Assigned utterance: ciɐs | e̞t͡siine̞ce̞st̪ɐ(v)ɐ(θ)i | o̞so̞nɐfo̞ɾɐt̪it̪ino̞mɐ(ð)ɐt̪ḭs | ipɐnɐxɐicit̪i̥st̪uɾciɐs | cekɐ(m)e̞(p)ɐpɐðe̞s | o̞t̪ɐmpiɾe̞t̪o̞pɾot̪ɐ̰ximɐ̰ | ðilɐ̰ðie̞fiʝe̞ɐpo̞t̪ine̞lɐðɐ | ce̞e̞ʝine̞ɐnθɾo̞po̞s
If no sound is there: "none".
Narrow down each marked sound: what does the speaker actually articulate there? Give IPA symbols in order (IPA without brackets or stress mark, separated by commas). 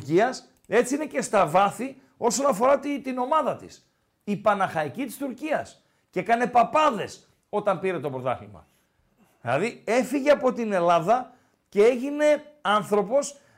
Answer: v, θ, ð, n, p